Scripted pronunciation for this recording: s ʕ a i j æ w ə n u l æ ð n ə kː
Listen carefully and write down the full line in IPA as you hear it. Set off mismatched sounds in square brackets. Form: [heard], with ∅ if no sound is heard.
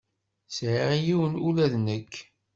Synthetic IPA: s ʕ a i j [i] w ə n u l æ ð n ə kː